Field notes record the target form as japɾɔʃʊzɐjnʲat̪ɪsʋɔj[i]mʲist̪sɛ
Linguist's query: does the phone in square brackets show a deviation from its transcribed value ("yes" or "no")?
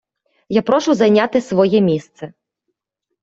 yes